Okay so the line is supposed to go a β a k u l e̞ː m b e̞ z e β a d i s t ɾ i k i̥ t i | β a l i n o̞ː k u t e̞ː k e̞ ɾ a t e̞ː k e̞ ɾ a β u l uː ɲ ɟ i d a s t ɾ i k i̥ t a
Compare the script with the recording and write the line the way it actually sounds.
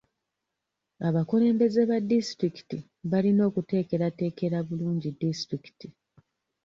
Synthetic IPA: a β a k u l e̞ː m b e̞ z e β a d i s t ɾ i k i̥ t i | β a l i n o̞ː k u t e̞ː k e̞ ɾ a t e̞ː k e̞ ɾ a β u l uː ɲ ɟ i d i s t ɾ i k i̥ t i